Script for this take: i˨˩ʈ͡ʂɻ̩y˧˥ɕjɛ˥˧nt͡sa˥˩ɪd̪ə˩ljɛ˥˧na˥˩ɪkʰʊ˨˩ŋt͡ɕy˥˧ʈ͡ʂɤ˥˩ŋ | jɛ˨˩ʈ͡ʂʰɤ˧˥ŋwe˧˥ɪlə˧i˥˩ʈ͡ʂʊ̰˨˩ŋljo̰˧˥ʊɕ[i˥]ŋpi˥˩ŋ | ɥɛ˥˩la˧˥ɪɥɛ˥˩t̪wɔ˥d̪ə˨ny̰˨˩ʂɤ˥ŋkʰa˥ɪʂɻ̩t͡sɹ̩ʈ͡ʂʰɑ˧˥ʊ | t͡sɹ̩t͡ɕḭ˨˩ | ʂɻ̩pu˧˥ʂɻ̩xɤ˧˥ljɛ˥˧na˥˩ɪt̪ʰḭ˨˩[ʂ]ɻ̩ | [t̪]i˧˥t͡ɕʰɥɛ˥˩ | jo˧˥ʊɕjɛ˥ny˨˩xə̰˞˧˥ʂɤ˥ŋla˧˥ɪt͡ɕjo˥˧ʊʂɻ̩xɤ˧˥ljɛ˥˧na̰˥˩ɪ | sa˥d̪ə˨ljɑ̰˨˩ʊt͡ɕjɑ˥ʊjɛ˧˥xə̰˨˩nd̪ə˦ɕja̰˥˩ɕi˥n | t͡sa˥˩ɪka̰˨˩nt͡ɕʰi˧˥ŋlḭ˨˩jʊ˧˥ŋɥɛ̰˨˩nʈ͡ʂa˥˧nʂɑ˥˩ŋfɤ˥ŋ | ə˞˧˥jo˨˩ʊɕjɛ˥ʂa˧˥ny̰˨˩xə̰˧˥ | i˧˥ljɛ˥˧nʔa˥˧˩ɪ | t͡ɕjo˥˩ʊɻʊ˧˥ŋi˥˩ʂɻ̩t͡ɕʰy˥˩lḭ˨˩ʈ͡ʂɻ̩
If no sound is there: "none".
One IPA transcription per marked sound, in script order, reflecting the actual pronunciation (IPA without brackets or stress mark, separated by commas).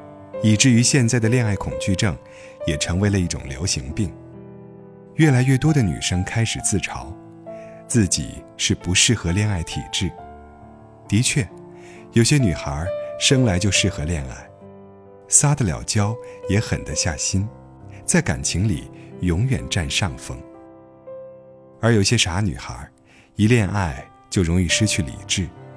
i˧˥, ʈ͡ʂ, t̪